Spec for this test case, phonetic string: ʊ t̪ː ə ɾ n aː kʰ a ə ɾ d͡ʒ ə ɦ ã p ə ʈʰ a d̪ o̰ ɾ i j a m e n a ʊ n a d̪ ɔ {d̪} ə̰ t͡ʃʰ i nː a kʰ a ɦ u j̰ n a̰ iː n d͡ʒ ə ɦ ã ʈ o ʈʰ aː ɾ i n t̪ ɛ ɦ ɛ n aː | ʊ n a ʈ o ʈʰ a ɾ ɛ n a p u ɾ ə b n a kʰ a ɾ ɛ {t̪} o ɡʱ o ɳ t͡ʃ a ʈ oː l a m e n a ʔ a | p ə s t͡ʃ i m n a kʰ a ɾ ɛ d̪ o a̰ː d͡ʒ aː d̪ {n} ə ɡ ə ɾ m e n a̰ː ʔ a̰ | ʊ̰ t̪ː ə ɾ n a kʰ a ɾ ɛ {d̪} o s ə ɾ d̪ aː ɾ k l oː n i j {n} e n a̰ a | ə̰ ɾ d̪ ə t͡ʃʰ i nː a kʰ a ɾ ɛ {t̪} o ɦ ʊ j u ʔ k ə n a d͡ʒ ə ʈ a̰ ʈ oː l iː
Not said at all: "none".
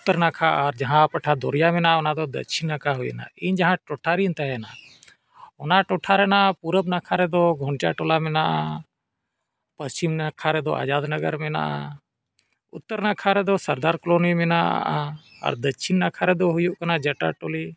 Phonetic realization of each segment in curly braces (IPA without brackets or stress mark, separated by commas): d̪, d̪, n, d̪, m, d̪